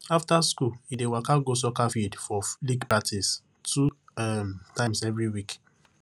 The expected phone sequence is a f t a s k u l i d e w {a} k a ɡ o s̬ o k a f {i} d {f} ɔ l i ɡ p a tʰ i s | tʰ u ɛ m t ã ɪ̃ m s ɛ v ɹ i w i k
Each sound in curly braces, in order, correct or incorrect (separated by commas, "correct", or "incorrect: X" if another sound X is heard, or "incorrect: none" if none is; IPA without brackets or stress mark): correct, correct, correct